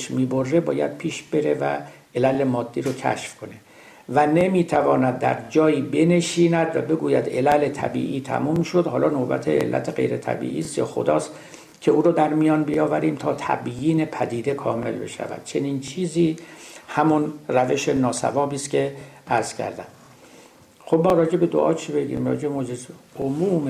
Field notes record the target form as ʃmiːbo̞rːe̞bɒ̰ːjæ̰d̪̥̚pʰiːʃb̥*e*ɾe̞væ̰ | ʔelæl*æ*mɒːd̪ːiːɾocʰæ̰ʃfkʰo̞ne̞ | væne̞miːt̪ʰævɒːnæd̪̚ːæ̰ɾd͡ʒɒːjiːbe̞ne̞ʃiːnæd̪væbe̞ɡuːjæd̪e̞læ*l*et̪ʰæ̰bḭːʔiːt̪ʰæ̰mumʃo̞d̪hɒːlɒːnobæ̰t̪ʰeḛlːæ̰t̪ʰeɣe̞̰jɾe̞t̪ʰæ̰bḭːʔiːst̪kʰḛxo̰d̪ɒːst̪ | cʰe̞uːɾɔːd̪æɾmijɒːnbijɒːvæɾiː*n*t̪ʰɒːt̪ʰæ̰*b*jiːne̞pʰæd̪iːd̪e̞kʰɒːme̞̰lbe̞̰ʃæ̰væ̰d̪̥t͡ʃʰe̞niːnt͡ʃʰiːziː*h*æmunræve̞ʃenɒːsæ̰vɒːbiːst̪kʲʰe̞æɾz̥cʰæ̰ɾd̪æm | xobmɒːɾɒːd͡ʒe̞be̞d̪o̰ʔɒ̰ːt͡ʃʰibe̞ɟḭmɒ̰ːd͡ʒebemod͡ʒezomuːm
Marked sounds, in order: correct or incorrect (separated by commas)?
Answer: correct, incorrect, correct, incorrect, correct, correct